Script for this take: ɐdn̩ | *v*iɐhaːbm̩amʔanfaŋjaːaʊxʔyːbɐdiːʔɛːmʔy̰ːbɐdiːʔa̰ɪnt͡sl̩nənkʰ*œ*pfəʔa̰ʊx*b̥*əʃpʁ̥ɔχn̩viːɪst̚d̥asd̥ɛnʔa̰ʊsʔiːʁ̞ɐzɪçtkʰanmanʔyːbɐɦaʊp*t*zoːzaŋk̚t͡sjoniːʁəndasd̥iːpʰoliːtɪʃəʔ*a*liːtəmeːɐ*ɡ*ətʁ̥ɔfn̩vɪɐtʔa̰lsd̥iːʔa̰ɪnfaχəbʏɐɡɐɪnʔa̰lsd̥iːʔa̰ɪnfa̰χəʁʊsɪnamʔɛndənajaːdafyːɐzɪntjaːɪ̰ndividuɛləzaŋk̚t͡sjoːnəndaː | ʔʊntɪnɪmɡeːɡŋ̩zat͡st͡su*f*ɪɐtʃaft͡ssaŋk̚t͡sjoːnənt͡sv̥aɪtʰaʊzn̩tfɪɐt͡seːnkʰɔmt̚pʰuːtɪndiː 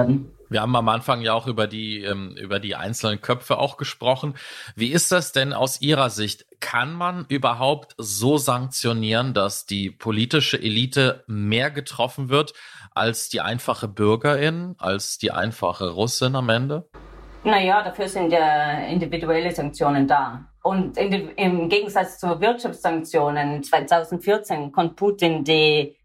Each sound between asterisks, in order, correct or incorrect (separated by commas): correct, correct, incorrect, correct, incorrect, correct, incorrect